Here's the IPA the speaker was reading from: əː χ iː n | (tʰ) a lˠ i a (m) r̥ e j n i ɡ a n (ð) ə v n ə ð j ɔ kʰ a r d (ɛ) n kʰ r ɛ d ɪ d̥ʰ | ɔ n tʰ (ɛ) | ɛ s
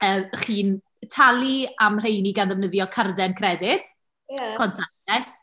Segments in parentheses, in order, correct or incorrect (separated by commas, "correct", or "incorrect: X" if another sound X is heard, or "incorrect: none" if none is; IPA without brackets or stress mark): correct, correct, correct, correct, incorrect: a